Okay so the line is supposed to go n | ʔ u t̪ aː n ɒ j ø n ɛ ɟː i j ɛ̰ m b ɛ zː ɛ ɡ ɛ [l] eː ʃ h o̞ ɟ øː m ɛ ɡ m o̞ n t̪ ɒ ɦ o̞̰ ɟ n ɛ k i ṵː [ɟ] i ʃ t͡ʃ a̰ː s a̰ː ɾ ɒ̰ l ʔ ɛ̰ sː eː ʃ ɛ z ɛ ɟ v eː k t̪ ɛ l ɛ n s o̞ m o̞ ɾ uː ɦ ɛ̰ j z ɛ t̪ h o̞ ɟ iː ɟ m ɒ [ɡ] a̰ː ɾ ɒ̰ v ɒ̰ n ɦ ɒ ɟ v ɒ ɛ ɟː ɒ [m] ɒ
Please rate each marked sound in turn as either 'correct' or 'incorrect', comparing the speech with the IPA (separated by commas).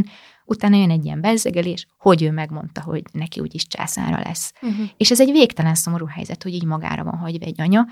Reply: correct, correct, correct, incorrect